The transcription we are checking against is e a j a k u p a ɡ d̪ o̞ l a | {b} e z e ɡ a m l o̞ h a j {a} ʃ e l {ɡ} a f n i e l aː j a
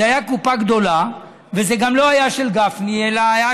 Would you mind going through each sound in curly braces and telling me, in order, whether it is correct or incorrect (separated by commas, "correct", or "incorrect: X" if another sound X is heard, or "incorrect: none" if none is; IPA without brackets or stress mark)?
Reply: incorrect: v, correct, correct